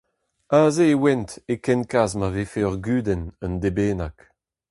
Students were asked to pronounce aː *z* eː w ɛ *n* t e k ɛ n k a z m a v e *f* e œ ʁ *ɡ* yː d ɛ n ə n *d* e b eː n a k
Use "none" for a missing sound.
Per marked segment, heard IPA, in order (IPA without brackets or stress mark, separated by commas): z, n, f, ɡ, d